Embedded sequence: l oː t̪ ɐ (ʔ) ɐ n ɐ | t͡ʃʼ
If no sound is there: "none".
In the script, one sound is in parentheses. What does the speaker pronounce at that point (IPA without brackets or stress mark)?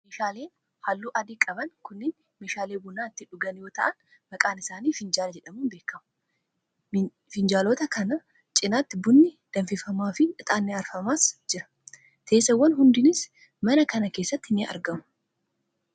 k